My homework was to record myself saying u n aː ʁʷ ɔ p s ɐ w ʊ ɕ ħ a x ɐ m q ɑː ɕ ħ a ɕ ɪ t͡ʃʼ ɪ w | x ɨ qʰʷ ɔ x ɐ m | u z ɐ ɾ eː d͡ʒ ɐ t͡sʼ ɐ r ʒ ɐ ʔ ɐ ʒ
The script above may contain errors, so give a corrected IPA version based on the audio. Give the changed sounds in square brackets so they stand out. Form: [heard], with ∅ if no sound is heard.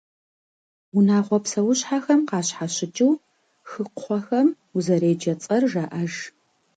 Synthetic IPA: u n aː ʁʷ ɔ p s ɐ w ʊ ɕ ħ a x ɐ m q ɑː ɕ ħ a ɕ ɪ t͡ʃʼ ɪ w | x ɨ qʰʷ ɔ x ɐ m | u z ɐ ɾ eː d͡ʒ ɐ t͡sʼ ɐ r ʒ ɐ ʔ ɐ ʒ